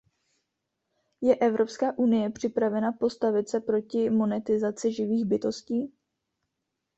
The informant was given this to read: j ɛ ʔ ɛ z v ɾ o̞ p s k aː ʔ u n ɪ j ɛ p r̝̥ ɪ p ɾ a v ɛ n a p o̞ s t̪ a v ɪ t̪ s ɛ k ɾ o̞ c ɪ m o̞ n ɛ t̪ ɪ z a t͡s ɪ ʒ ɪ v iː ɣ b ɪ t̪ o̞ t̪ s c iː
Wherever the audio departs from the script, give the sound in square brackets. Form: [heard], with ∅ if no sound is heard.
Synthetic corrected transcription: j ɛ ʔ ɛ [∅] v ɾ o̞ p s k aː ʔ u n ɪ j ɛ p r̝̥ ɪ p ɾ a v ɛ n a p o̞ s t̪ a v ɪ t̪ s ɛ [p] ɾ o̞ c ɪ m o̞ n ɛ t̪ ɪ z a t͡s ɪ ʒ ɪ v iː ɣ b ɪ t̪ o̞ [∅] s c iː